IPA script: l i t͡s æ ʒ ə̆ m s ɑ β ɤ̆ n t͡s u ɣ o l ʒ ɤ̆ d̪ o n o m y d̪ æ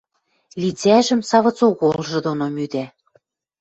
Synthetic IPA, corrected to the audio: l i t͡s æ ʒ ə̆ m s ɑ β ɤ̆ t͡s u ɣ o l ʒ ɤ̆ d̪ o n o m y d̪ æ